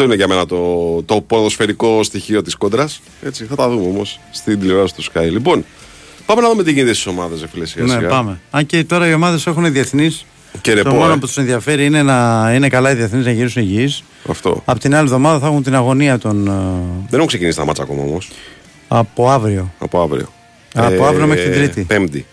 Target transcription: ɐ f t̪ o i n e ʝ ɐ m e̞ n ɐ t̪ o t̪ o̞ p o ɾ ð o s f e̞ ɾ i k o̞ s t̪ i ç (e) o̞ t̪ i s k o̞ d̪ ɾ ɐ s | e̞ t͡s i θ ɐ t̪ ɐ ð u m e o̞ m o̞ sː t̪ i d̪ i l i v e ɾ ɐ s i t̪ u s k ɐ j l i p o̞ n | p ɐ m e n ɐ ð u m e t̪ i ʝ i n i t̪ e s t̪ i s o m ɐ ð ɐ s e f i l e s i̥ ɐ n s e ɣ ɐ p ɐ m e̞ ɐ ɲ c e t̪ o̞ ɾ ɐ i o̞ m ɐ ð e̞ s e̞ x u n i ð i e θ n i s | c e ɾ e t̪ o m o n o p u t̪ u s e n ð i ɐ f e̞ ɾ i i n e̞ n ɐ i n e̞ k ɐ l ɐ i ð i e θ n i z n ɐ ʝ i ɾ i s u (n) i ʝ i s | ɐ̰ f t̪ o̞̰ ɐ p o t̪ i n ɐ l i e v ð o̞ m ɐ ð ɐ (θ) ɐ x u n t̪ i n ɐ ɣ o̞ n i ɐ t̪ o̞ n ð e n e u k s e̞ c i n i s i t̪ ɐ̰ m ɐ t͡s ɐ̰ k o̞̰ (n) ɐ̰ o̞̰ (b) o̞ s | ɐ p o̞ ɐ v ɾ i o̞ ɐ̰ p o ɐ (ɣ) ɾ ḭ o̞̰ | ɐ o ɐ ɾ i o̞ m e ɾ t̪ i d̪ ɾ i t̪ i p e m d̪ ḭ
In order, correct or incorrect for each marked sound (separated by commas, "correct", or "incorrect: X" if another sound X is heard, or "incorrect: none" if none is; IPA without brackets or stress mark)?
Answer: incorrect: i, correct, correct, incorrect: m, incorrect: m, incorrect: v